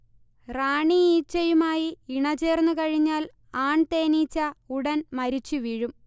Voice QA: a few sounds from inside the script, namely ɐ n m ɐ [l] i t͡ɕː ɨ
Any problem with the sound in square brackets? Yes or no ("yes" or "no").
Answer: yes